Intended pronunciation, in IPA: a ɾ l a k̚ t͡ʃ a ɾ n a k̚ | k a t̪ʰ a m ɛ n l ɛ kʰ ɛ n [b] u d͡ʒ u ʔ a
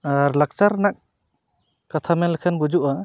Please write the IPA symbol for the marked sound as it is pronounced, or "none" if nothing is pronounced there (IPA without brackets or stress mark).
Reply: b